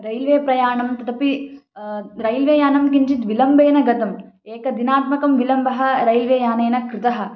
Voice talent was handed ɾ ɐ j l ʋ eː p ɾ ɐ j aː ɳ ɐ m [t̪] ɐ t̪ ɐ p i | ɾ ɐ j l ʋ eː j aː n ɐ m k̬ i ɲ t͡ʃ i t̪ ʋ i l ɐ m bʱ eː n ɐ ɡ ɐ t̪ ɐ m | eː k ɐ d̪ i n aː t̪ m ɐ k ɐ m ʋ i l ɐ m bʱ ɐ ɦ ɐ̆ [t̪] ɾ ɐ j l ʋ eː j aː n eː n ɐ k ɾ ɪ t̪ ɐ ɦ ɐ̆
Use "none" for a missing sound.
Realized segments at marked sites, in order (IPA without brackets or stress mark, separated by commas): t̪, none